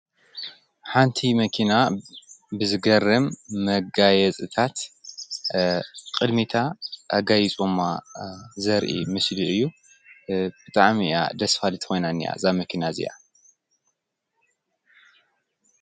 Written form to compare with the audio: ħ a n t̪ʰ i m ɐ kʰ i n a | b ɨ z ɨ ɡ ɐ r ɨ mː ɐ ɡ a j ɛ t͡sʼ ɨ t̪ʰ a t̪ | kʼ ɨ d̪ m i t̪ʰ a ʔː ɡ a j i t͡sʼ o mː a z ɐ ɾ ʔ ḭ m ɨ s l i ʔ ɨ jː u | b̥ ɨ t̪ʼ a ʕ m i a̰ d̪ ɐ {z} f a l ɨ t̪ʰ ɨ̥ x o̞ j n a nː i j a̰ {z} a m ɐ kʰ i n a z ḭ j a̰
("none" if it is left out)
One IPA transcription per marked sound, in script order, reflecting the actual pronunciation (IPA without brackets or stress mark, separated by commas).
s, z